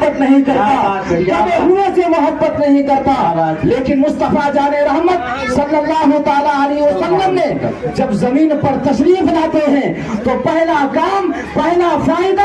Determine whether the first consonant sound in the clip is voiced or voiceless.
voiceless